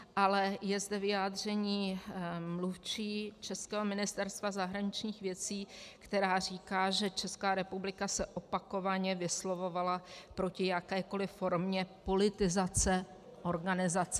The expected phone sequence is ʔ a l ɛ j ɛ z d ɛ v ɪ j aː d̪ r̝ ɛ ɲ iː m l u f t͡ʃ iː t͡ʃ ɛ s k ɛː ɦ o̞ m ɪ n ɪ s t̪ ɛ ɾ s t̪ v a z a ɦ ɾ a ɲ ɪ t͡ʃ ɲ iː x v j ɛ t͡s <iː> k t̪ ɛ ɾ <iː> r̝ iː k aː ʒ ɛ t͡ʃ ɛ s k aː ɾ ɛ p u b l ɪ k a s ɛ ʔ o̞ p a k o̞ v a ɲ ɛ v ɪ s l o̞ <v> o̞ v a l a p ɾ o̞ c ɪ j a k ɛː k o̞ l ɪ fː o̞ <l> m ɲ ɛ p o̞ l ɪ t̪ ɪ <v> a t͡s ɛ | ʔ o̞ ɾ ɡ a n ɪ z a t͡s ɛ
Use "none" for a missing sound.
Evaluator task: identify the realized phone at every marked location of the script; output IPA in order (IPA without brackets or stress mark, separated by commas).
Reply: iː, aː, v, ɾ, z